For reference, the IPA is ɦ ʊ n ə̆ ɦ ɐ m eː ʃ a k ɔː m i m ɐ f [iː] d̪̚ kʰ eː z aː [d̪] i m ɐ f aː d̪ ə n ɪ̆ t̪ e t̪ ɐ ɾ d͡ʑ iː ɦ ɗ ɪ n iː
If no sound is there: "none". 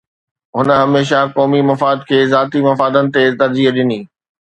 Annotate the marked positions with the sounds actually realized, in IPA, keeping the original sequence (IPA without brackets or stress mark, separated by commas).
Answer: aː, t̪